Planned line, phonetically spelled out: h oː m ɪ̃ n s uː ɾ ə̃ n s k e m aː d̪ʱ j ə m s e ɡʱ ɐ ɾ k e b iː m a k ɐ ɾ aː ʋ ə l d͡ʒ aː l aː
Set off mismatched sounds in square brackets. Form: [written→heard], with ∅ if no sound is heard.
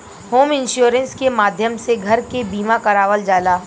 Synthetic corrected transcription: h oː m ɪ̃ n [s→ʃ] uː ɾ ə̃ n s k e m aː d̪ʱ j ə m s e ɡʱ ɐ ɾ k e b iː m a k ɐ ɾ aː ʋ ə l d͡ʒ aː l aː